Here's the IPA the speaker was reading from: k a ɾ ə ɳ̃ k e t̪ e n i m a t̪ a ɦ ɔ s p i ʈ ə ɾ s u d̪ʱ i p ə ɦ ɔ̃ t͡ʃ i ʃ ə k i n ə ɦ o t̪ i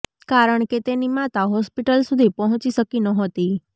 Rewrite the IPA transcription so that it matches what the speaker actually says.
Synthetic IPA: k a ɾ ə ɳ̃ k e t̪ e n i m a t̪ a ɦ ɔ s p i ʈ ə l s u d̪ʱ i p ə ɦ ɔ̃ t͡ʃ i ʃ ə k i n ə ɦ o t̪ i